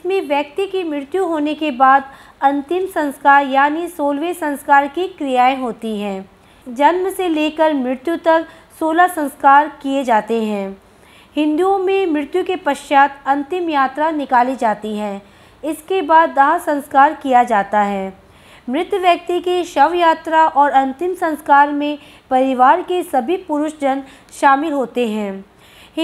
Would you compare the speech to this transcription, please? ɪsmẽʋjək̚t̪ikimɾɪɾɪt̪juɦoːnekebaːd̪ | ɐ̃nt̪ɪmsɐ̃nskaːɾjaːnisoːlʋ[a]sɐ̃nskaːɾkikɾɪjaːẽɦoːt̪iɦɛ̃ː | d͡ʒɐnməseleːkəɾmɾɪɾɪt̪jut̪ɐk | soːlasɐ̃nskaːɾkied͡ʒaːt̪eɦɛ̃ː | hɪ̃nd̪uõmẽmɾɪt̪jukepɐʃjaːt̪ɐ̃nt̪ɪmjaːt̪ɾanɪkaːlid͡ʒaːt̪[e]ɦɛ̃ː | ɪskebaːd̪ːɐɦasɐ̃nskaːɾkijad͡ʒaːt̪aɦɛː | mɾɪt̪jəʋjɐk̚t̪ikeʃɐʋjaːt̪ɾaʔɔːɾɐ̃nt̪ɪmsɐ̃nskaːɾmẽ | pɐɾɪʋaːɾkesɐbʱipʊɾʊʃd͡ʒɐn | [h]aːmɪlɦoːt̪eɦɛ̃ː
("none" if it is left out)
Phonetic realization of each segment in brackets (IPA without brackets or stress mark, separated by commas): e, i, ʃ